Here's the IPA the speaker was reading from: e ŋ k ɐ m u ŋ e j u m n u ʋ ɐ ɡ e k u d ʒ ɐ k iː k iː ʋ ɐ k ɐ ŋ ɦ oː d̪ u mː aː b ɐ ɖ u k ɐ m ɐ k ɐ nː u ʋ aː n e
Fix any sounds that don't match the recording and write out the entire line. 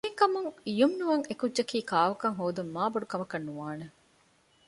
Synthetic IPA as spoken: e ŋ k ɐ m u ŋ i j u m n u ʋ ɐ ŋ e k u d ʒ ɐ k iː k aː ʋ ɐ k ɐ ŋ ɦ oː d̪ u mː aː b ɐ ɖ u k ɐ m ɐ k ɐ nː u ʋ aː n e